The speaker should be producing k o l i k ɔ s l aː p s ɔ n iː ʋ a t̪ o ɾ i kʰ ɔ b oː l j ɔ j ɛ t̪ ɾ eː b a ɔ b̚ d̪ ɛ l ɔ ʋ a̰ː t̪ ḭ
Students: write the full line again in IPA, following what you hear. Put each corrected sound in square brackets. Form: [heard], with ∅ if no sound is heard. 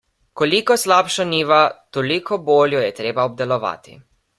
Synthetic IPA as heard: k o l i k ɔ s l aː p [ʃ] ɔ n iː ʋ a t̪ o [l] i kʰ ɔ b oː l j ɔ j ɛ t̪ ɾ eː b a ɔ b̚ d̪ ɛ l ɔ ʋ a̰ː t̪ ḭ